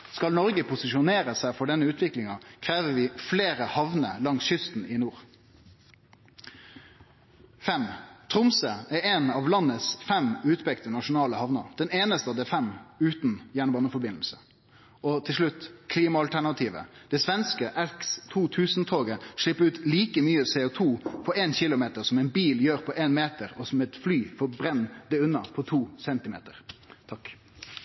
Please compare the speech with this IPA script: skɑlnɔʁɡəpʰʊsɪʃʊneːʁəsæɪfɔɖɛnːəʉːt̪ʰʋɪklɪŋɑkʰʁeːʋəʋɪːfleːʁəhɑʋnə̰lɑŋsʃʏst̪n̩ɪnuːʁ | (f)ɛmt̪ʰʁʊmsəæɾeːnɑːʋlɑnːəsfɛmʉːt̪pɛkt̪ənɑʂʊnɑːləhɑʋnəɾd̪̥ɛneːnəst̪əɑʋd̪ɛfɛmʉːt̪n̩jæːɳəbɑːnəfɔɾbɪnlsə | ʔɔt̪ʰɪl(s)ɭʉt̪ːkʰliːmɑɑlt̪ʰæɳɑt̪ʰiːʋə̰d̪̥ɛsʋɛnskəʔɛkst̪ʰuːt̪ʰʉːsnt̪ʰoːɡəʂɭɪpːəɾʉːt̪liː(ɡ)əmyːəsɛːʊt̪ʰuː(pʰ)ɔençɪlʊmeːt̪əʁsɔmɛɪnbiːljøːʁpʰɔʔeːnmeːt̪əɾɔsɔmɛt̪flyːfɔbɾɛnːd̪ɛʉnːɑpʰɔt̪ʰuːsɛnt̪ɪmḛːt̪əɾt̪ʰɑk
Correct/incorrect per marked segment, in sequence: correct, incorrect, incorrect, correct

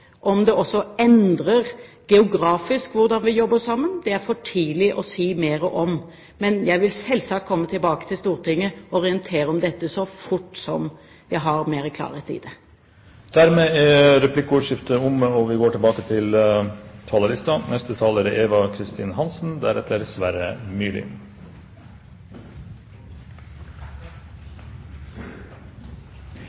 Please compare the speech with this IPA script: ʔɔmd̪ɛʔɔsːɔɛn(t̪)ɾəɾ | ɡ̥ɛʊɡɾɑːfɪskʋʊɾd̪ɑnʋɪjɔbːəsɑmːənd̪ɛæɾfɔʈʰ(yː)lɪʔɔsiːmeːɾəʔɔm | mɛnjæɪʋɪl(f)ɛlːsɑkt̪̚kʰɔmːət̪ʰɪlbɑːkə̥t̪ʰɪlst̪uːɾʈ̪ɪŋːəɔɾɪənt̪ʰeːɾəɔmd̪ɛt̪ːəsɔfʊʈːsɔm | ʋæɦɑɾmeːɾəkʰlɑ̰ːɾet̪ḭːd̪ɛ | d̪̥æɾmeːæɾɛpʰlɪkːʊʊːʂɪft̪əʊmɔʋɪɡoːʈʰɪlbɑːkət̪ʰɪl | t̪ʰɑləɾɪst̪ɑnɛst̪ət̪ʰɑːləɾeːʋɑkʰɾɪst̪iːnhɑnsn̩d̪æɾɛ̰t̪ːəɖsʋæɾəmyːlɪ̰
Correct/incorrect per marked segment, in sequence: incorrect, incorrect, incorrect

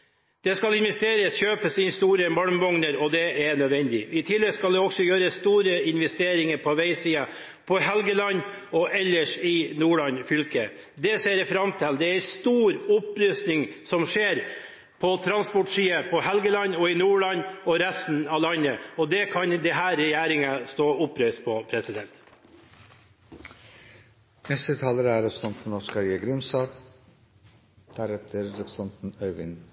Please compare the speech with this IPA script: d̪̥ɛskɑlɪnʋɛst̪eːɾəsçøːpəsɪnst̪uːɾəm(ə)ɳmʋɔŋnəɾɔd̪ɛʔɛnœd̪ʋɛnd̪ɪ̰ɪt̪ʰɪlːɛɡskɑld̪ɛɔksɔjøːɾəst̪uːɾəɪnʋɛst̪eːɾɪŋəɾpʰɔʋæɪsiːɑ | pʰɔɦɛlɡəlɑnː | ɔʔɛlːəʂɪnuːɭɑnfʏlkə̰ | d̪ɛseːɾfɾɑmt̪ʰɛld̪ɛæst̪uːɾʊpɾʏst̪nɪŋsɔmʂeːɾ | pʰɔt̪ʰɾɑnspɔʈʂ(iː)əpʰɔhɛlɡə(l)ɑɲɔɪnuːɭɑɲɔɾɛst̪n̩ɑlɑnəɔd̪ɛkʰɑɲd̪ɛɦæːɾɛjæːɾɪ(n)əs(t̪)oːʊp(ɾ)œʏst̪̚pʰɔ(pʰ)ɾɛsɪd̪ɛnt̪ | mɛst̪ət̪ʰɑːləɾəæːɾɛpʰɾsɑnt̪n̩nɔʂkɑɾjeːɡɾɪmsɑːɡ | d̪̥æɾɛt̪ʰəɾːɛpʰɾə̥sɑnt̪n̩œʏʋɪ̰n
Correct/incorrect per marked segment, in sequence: incorrect, correct, correct, incorrect, correct, correct, correct

